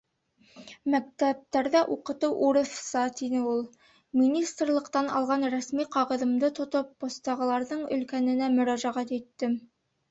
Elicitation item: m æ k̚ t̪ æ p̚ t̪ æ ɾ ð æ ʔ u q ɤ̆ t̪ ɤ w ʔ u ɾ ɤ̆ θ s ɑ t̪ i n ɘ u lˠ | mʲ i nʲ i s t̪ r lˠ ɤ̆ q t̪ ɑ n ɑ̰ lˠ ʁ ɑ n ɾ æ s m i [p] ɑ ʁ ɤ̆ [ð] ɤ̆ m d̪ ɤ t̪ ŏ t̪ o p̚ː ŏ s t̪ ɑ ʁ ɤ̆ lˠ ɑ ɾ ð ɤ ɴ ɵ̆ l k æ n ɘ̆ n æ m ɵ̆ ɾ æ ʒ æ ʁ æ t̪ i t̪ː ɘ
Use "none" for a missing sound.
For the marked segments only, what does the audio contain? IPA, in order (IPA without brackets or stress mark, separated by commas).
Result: q, ð